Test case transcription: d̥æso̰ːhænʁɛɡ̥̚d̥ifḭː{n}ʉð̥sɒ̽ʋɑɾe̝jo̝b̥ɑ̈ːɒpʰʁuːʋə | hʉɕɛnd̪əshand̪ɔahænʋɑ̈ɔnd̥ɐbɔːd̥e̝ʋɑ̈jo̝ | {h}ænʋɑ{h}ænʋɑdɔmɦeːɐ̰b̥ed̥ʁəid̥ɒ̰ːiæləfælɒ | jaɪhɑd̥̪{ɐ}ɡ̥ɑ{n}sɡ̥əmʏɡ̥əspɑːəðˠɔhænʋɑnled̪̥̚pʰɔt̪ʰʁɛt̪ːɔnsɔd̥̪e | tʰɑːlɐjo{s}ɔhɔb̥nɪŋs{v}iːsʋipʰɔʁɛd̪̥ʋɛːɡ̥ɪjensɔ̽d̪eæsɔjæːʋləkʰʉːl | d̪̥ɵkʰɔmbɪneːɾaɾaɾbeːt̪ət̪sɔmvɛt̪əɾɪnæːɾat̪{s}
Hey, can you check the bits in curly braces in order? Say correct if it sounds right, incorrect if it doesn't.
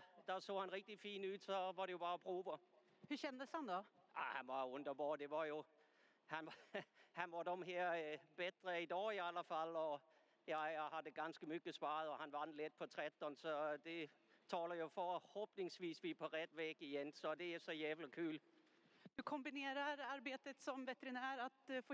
correct, correct, correct, incorrect: ə, correct, incorrect: f, incorrect: ʋ, incorrect: f

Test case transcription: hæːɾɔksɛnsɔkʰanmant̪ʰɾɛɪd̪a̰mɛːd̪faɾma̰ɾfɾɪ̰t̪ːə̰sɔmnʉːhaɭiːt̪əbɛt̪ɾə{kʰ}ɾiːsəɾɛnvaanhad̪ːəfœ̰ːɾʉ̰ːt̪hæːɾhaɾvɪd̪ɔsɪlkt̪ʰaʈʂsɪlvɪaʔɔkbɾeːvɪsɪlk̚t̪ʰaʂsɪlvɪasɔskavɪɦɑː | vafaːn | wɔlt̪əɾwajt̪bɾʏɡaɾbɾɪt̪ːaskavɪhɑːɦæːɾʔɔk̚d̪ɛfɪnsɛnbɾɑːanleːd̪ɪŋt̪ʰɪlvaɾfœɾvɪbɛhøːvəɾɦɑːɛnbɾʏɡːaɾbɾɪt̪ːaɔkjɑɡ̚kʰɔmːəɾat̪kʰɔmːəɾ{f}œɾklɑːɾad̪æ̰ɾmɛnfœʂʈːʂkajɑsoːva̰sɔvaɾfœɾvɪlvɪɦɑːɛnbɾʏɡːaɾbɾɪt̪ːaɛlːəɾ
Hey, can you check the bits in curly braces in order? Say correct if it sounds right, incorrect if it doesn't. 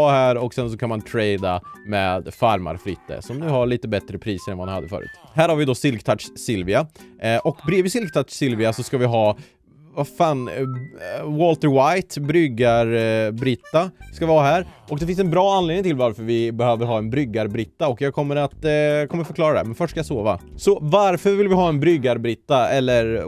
incorrect: pʰ, correct

